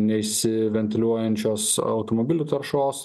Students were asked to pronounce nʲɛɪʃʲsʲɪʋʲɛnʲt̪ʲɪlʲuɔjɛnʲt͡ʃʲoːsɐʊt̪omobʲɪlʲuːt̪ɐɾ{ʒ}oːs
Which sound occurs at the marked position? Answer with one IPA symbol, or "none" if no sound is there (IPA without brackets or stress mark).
ʃ